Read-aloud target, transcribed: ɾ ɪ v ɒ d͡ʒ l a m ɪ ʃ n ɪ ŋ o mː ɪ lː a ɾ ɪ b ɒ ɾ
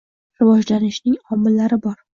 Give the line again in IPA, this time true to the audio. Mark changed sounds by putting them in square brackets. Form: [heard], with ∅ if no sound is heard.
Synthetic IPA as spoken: ɾ ɪ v ɒ d͡ʒ l a [n] ɪ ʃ n ɪ ŋ [ɒ] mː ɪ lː a ɾ ɪ b ɒ ɾ